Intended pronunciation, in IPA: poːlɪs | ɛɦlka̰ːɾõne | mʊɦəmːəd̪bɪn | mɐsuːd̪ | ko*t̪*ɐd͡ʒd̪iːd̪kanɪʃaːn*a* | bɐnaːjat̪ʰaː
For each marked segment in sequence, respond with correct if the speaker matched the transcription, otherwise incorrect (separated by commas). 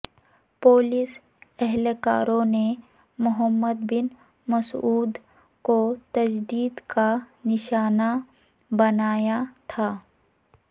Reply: correct, correct